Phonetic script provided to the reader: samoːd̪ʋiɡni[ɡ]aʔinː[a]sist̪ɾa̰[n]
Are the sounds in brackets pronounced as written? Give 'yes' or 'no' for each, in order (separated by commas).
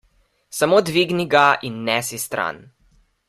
yes, no, yes